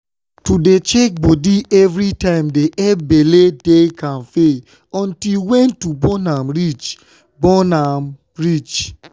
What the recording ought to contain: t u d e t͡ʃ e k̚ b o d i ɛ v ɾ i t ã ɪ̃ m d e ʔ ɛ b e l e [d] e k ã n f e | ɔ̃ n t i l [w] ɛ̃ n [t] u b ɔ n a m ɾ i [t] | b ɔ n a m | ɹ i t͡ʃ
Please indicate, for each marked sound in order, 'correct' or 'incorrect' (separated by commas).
correct, correct, correct, incorrect